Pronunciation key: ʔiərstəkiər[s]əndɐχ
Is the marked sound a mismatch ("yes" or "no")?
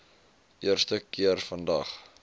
yes